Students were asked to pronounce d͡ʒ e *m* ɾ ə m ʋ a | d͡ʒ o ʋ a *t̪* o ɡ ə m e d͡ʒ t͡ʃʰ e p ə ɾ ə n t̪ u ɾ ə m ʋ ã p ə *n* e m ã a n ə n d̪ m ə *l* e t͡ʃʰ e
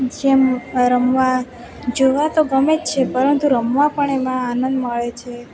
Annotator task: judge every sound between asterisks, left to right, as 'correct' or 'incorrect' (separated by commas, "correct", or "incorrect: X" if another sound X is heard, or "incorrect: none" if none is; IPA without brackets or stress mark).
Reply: correct, correct, incorrect: ɳ, incorrect: ɭ